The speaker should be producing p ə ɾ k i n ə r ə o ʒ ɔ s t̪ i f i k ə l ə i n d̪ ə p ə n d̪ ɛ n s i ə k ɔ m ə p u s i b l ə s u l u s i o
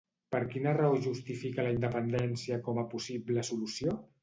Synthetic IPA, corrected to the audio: p ə ɾ k i n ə r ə o ʒ u s t̪ i f i k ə l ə i n d̪ ə p ə n d̪ ɛ n s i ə k ɔ m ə p u s i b l ə s u l u s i o